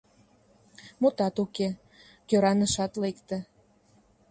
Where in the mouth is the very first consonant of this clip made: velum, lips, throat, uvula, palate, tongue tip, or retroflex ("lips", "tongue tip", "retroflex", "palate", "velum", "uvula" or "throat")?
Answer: lips